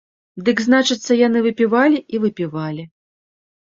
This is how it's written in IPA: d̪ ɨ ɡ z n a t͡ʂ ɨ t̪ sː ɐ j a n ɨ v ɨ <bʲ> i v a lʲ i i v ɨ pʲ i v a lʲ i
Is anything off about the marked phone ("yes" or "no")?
yes